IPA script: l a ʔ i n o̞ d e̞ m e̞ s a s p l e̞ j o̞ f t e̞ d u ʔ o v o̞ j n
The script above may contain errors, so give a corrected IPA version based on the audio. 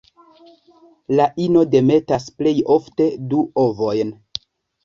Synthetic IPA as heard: l a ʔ i n o̞ d e̞ m e̞ t a s p l e̞ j o̞ f t e̞ d u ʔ o v o̞ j n